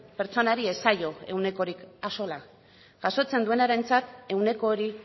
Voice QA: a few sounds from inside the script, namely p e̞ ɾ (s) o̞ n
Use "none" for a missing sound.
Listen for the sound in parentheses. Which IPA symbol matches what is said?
t͡s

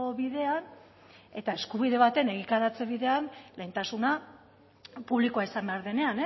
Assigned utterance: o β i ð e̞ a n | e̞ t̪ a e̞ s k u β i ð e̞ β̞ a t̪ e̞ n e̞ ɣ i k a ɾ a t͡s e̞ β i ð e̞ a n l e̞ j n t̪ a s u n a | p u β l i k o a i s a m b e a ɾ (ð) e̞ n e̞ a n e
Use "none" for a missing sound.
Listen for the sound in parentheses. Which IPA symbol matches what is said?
ð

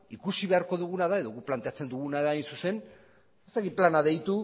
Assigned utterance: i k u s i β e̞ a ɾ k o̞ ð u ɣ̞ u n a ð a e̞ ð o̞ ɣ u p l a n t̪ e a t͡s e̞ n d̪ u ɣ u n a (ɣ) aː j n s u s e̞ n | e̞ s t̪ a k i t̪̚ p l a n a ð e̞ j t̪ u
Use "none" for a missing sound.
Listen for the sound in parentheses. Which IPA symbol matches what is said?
ð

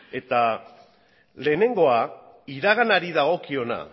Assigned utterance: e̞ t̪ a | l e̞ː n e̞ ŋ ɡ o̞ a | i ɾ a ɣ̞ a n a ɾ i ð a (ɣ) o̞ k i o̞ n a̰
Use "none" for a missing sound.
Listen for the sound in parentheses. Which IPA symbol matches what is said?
ɣ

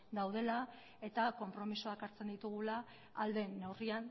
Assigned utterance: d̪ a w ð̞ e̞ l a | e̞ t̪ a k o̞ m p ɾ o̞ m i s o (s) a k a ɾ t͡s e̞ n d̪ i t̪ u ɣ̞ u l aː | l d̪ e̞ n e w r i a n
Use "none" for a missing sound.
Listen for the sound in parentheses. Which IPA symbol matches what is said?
none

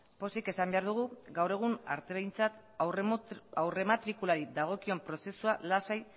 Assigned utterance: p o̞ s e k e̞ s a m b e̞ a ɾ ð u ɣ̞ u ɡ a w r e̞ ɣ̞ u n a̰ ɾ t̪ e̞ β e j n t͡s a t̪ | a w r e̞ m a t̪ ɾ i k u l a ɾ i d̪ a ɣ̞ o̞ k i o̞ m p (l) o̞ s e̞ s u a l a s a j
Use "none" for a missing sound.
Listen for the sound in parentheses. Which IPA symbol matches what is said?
ɾ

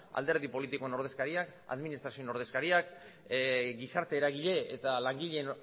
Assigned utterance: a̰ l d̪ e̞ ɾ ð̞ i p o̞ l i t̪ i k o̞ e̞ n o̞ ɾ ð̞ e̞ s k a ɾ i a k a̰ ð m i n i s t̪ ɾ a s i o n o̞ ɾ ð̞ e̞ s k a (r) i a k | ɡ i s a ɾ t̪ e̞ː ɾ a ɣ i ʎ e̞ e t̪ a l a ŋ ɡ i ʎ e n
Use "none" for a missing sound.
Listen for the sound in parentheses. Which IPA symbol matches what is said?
ɾ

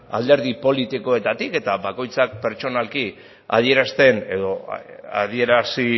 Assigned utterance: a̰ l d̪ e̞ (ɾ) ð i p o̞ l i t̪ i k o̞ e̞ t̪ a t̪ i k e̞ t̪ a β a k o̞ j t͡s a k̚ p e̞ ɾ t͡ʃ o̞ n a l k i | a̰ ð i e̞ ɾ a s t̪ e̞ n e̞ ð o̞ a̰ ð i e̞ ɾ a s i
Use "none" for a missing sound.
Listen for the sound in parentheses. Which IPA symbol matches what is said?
ɾ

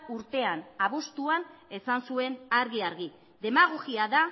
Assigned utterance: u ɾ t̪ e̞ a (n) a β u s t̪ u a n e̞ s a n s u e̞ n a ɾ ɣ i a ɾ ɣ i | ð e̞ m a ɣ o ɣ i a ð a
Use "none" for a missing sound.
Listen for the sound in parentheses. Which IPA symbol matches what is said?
n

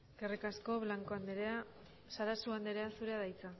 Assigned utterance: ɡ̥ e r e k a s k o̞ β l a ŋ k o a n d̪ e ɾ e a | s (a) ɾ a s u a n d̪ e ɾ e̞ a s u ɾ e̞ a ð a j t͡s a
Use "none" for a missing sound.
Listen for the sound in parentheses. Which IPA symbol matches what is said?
a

